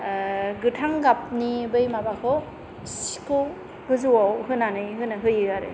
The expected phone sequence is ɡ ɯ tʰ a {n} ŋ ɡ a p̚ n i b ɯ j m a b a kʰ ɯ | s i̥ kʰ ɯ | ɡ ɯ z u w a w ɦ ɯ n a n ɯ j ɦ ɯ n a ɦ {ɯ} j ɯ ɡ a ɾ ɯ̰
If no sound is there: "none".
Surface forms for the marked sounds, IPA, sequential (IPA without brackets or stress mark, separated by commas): none, ɯ